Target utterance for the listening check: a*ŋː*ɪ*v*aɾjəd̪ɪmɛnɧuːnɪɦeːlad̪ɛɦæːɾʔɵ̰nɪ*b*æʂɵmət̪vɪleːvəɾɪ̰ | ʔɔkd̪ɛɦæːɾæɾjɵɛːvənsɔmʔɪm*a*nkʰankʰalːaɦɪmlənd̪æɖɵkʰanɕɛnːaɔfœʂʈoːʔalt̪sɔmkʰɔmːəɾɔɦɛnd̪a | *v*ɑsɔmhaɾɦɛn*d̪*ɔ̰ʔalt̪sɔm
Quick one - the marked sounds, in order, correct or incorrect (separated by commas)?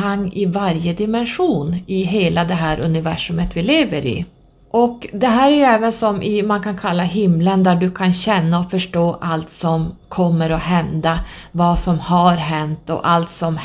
correct, correct, incorrect, correct, correct, incorrect